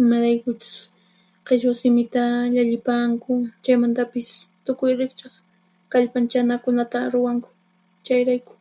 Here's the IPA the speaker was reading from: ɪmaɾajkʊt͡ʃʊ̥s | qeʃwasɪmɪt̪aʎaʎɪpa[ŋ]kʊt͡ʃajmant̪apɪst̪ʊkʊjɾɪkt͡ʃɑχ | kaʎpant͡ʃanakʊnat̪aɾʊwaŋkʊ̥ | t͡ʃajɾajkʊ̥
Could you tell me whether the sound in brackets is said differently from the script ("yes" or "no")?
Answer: no